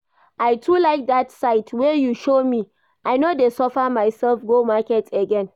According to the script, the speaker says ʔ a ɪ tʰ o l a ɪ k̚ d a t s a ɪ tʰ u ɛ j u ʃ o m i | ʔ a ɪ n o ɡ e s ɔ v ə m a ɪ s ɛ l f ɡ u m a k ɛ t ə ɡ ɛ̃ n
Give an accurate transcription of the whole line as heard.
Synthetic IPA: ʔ a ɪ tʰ u l a ɪ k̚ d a t s a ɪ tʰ w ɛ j u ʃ o m i | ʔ a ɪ n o d e s ɔ f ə m a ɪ s ɛ l f ɡ o m a k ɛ t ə ɡ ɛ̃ n